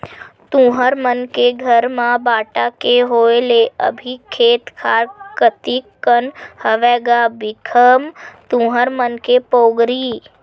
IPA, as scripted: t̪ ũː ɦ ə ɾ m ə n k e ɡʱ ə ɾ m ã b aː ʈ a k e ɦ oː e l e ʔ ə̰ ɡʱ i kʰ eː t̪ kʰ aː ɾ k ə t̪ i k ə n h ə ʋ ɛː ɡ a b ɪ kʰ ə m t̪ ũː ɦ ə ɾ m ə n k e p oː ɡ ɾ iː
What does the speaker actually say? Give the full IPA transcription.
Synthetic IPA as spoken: t̪ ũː ɦ ə ɾ m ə n k e ɡʱ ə ɾ m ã b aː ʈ a k e ɦ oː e l e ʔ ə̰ bʱ i kʰ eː t̪ kʰ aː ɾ k ə t̪ i k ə n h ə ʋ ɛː ɡ a b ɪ kʰ ə m t̪ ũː ɦ ə ɾ m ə n k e p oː ɡ ɾ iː